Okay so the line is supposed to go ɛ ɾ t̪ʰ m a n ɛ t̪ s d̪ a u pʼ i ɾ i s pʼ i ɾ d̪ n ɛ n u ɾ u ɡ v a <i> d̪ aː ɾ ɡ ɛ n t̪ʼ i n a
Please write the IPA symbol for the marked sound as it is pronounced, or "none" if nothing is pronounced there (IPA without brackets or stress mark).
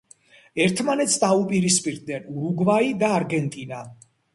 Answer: i